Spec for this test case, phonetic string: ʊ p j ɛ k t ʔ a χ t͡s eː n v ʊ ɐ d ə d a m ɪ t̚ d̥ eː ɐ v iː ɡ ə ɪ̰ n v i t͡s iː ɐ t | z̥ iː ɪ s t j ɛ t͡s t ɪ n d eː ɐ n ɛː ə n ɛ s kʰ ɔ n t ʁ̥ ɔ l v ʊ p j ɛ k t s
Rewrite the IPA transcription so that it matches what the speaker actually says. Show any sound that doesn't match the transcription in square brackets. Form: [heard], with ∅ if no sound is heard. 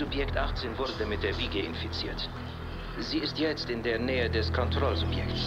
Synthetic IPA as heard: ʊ p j ɛ k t ʔ a χ t͡s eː n v ʊ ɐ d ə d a m ɪ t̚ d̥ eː ɐ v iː ɡ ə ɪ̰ n [f] i t͡s iː ɐ t | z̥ iː ɪ s t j ɛ t͡s t ɪ n d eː ɐ n ɛː ə [d] ɛ s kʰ ɔ n t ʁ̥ ɔ l [z] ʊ p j ɛ k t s